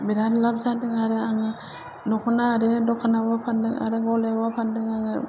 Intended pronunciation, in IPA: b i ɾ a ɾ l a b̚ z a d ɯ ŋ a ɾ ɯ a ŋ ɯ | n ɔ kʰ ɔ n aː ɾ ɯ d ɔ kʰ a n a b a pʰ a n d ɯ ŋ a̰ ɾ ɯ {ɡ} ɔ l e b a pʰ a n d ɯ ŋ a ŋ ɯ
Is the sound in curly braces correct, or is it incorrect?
correct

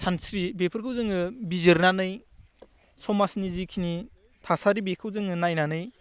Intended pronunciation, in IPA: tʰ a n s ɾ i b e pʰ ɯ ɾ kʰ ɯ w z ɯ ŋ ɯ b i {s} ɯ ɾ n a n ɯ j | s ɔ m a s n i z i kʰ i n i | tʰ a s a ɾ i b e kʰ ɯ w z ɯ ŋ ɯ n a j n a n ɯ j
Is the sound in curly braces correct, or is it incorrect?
incorrect: z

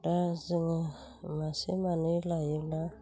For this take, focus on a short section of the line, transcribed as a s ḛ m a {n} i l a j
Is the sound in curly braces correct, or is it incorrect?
correct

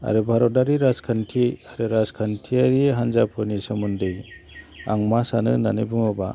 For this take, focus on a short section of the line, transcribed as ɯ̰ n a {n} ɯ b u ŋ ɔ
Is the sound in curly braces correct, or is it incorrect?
correct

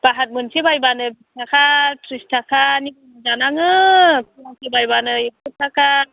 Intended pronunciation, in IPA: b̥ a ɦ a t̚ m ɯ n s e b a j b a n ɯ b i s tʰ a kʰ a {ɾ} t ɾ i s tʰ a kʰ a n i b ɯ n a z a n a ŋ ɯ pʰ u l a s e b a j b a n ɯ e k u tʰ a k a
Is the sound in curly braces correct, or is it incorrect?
incorrect: none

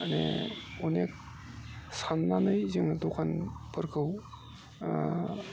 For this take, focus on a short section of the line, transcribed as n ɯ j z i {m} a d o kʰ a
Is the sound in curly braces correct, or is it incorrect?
incorrect: ŋ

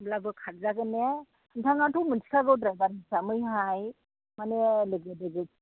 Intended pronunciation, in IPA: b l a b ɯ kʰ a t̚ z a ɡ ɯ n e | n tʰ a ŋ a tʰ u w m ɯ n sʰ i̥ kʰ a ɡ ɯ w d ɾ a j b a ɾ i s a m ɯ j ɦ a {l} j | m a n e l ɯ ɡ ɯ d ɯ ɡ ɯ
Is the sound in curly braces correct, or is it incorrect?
incorrect: none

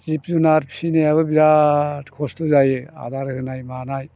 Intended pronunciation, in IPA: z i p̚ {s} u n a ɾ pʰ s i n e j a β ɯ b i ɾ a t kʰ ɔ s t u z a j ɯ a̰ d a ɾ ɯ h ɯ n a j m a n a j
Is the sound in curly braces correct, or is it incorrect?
incorrect: z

